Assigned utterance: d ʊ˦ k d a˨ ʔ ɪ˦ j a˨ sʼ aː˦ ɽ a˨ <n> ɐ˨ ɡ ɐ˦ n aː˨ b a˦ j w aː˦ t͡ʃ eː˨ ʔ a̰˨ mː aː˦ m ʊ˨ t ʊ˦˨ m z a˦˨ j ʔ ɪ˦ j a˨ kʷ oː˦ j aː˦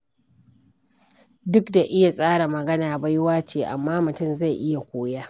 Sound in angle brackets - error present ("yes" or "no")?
yes